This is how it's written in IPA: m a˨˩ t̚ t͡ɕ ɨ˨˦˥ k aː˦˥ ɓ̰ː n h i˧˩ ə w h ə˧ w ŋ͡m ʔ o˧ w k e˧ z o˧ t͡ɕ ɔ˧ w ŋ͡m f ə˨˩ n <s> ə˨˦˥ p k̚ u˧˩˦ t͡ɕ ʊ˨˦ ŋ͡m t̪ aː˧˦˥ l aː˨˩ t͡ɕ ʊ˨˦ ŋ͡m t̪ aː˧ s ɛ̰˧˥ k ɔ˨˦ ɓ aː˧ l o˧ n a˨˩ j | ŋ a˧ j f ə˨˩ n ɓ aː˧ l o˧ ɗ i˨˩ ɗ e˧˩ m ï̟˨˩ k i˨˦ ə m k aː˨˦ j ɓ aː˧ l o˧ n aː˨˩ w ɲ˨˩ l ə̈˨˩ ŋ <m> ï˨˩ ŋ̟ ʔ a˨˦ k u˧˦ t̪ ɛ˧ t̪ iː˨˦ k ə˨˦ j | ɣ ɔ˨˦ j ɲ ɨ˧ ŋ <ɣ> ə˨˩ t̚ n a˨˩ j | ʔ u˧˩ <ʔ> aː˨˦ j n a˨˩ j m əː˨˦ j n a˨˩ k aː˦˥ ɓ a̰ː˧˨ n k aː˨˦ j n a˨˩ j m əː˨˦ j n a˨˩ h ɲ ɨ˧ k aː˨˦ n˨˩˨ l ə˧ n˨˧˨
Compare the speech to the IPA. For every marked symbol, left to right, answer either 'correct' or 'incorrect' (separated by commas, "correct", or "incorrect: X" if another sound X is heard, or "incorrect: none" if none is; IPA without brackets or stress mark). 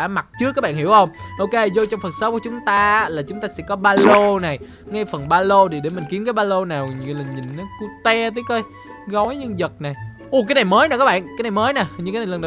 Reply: correct, incorrect: ɲ, incorrect: z, incorrect: k